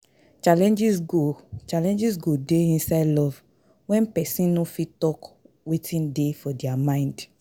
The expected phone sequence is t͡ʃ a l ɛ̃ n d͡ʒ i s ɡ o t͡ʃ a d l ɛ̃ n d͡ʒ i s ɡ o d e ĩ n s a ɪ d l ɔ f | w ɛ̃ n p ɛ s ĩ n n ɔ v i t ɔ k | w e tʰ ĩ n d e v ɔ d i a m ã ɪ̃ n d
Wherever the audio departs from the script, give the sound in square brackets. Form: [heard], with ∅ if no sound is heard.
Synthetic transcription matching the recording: t͡ʃ a l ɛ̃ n d͡ʒ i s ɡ o t͡ʃ a [∅] l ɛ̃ n d͡ʒ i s ɡ o d e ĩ n s a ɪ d l ɔ [v] | w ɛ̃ n p ɛ s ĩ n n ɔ [f] i t ɔ k | w e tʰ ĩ n d e [f] ɔ d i a m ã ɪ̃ n d